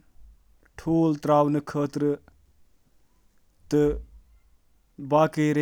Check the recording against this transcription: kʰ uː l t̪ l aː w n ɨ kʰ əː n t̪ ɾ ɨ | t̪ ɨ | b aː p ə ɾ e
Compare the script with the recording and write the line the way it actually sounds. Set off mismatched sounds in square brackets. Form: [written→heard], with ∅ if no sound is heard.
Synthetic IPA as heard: [kʰ→ʈʰ] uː l t̪ [l→ɾ] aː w n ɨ kʰ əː [n→∅] t̪ ɾ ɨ | t̪ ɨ | b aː [p→k] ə ɾ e